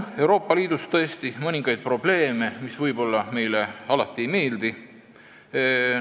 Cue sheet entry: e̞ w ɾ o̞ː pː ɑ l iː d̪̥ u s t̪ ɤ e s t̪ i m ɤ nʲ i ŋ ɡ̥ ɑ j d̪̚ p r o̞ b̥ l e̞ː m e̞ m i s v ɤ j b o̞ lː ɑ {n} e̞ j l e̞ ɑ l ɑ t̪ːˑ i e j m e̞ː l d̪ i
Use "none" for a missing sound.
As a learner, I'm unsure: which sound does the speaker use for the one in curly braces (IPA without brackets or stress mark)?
m